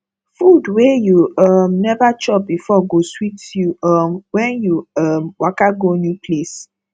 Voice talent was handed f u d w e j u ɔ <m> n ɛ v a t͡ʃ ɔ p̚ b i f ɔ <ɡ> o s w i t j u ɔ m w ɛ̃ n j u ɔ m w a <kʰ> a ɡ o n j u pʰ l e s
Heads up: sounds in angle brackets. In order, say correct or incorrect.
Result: correct, correct, incorrect: k

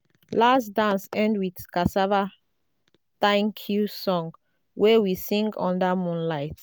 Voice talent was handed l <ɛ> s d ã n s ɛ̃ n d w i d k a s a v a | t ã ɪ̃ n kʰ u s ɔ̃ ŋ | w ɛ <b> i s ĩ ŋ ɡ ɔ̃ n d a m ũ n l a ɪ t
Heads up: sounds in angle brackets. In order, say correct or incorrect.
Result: incorrect: a, incorrect: w

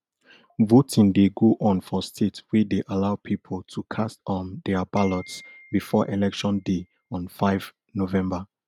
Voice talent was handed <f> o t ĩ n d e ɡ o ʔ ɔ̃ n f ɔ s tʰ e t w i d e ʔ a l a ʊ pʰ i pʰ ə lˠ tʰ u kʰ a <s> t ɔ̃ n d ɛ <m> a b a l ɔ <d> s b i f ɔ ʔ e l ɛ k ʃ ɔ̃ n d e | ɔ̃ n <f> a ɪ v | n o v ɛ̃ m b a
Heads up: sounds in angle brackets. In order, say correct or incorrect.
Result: incorrect: v, correct, incorrect: none, incorrect: t, correct

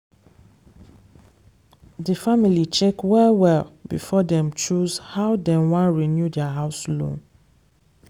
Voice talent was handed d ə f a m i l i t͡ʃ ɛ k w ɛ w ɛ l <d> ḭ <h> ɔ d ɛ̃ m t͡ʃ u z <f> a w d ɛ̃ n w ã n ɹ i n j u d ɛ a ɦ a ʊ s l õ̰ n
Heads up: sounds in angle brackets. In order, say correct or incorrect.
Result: incorrect: b, incorrect: f, incorrect: h

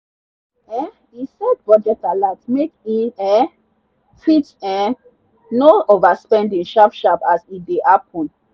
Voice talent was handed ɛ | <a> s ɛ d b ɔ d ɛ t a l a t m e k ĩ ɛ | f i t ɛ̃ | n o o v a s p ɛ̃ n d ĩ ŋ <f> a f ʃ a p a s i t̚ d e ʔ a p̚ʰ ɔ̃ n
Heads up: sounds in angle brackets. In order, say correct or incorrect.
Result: incorrect: i, incorrect: ʃ

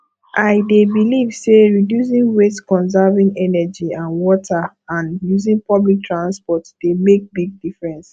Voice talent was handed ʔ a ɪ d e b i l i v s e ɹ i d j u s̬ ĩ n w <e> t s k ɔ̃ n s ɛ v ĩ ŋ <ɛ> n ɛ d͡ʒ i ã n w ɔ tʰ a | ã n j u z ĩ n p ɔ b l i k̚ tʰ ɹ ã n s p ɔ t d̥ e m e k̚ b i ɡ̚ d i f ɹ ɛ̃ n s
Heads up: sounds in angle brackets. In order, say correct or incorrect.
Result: correct, correct

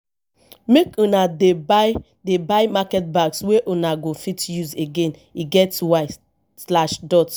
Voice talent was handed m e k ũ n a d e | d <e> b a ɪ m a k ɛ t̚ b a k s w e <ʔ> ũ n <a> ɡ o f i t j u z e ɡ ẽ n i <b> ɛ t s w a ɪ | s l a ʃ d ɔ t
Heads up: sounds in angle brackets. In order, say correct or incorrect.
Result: correct, correct, correct, incorrect: ɡ

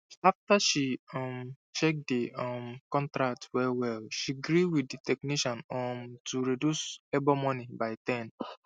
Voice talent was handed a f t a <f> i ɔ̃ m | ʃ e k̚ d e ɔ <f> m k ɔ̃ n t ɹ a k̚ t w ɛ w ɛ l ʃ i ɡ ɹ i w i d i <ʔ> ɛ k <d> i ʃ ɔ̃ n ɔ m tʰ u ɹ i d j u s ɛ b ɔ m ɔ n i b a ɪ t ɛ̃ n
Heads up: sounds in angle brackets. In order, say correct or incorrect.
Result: incorrect: ʃ, incorrect: none, incorrect: t, incorrect: n

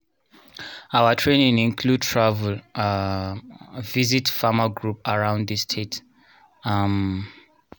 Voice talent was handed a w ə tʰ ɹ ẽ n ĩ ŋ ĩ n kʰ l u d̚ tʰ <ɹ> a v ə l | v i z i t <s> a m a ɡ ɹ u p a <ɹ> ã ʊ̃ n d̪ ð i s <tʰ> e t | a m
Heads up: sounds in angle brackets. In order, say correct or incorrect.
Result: correct, incorrect: f, correct, correct

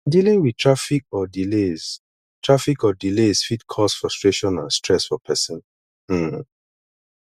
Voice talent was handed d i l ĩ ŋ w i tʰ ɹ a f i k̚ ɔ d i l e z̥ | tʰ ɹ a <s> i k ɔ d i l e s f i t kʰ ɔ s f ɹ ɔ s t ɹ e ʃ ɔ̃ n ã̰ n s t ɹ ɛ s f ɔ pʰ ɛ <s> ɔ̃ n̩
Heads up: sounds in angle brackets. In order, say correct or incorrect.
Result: incorrect: f, correct

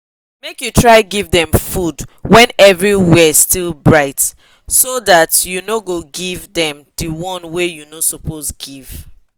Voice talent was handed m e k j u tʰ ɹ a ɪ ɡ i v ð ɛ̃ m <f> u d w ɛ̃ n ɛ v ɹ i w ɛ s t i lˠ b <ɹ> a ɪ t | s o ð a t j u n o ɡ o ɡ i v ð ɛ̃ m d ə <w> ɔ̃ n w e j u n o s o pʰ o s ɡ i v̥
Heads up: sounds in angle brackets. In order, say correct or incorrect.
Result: correct, correct, correct

